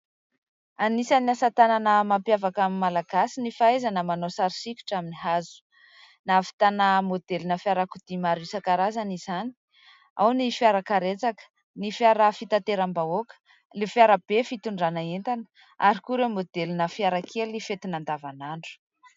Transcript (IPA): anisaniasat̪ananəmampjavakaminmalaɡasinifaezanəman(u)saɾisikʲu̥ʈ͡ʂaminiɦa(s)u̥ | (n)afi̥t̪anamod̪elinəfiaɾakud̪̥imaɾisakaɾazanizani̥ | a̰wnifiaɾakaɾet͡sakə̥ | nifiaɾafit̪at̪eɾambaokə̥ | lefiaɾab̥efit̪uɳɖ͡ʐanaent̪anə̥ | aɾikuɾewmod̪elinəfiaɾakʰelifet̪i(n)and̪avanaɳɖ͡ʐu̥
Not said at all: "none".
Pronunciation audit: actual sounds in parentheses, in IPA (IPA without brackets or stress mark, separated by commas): o, z, n, n